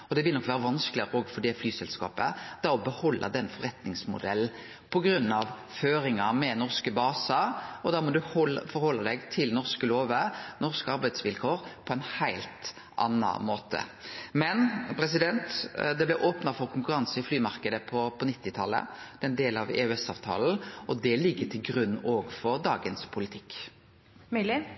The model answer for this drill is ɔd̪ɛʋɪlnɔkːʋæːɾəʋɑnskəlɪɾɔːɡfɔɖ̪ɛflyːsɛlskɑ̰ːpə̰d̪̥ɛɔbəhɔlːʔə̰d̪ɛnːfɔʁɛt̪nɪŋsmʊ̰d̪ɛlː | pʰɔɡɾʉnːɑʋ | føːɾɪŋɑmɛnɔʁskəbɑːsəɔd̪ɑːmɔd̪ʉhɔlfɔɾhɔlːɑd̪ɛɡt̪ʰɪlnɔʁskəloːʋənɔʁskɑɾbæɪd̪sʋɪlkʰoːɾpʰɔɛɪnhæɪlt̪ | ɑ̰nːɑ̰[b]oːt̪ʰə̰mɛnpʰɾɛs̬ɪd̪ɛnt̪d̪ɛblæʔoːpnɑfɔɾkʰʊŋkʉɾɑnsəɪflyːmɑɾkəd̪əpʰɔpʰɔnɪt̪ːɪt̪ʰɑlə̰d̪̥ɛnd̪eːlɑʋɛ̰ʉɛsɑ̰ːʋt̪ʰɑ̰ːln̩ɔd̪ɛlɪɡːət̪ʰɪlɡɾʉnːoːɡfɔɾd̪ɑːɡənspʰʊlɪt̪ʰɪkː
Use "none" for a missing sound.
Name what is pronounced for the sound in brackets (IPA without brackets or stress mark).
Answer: m